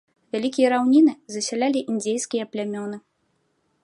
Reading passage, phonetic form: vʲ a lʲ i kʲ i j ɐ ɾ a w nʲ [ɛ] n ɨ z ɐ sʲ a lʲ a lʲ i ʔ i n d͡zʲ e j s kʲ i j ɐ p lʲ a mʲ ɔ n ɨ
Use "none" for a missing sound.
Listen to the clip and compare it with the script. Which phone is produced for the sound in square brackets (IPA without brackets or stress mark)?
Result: i